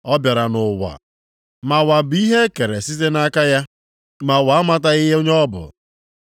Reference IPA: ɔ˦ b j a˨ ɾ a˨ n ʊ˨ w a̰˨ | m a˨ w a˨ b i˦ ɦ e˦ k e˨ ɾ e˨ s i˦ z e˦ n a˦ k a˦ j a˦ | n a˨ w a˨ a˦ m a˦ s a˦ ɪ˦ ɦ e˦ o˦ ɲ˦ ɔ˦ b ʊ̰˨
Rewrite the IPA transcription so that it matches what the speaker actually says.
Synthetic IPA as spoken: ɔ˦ b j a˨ ɾ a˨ n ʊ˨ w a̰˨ | m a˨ w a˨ b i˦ ɦ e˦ k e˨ ɾ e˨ s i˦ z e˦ n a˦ k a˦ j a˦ | m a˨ w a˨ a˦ m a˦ t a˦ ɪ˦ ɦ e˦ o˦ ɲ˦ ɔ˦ b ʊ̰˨